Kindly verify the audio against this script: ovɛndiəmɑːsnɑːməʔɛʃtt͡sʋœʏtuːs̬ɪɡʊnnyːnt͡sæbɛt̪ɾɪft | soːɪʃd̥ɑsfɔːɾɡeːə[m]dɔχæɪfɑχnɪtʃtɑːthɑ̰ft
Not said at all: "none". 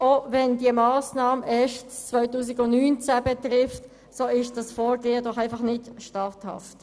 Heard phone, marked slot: none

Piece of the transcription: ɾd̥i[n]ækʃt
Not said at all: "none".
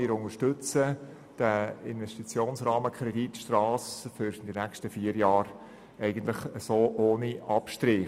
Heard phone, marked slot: n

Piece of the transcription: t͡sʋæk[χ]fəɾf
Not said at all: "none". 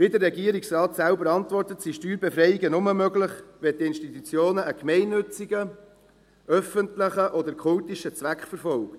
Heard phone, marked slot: χ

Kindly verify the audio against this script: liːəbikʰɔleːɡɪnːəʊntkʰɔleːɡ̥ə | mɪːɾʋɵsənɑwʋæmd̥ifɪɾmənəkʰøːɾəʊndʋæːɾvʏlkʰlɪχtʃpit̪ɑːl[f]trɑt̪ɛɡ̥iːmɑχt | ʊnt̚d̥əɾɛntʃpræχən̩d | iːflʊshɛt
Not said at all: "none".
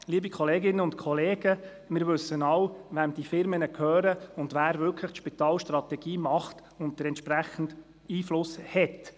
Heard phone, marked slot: ʃ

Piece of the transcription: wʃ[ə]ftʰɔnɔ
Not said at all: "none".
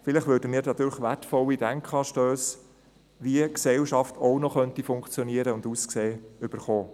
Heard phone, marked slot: ɑ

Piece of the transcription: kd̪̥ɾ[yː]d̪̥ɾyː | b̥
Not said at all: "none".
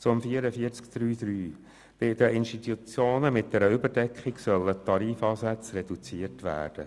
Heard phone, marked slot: yː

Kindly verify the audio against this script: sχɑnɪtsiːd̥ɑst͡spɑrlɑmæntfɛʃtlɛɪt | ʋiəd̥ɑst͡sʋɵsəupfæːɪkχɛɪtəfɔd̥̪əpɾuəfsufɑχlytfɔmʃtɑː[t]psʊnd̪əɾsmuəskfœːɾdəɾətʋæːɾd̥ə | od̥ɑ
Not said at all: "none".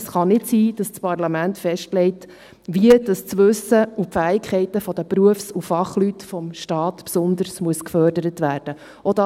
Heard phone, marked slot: t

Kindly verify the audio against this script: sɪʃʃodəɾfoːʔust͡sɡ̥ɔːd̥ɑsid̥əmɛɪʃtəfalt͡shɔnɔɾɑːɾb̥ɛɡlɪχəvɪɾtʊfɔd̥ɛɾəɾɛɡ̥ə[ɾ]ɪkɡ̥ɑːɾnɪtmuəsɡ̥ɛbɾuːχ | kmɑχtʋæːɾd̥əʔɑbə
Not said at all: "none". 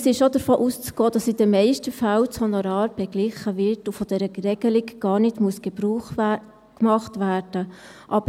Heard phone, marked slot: l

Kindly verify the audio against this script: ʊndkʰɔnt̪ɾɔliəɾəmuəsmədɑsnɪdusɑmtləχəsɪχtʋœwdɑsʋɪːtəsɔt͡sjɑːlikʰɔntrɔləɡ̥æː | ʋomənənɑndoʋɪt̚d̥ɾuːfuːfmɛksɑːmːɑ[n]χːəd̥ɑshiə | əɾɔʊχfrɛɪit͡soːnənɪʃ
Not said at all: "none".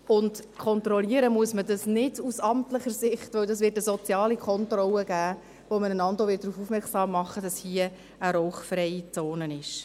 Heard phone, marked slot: none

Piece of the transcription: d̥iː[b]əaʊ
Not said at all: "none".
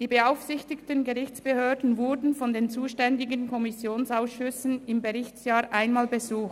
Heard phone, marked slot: b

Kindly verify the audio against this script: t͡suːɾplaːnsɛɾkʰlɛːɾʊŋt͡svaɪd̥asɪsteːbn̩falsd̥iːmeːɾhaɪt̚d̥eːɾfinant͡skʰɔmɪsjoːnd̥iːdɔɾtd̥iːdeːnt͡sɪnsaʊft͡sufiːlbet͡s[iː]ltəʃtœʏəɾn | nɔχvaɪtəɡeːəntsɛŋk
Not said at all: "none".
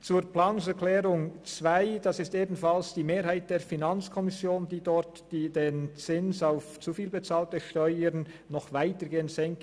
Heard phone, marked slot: aː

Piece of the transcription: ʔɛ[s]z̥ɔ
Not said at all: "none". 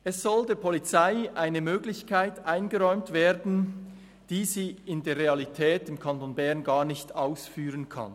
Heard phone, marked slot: s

